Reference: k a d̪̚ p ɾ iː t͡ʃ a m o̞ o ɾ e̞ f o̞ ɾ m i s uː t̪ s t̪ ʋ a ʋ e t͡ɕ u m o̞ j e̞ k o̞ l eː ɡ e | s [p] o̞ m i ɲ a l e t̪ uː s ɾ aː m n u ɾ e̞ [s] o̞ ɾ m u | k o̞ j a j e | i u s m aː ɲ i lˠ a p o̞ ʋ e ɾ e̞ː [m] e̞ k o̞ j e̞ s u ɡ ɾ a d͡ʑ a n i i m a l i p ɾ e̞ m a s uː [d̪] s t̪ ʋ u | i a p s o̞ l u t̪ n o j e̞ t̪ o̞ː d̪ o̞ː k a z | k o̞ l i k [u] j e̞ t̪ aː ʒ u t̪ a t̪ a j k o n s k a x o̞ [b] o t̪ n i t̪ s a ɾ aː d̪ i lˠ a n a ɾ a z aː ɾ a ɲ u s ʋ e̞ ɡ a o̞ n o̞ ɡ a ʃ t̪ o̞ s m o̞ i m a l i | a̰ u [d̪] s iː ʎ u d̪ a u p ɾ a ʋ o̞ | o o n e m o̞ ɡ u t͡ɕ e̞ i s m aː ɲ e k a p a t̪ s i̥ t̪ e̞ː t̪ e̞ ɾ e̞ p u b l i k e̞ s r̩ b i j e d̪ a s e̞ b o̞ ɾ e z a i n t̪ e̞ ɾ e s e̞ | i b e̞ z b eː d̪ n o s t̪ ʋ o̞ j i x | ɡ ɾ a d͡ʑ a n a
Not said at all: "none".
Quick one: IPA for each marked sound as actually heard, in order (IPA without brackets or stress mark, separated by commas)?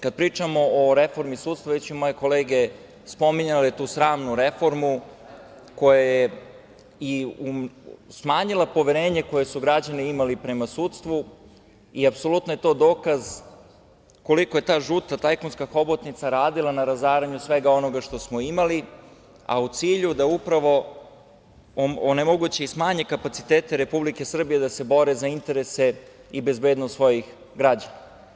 p, f, ɲ, t̪, o, b, t̪